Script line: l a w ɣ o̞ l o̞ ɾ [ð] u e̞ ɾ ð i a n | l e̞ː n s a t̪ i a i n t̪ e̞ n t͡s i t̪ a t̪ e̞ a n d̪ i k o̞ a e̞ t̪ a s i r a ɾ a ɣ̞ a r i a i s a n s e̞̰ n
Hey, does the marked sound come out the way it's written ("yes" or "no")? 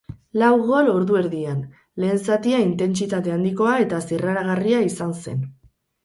yes